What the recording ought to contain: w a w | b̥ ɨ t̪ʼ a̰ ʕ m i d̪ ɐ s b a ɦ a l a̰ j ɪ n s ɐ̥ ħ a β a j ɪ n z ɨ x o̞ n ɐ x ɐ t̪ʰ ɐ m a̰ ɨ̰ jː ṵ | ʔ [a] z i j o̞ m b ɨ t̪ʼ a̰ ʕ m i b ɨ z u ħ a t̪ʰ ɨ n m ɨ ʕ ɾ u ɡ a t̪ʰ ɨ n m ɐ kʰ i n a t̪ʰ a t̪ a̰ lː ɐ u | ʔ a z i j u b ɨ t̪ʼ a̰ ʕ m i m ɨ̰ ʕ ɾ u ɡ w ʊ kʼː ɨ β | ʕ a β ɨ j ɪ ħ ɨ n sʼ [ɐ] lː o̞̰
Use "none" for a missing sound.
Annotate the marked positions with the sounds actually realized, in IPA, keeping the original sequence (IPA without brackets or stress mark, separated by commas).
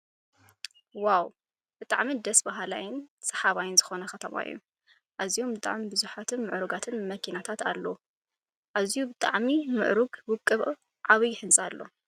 a, a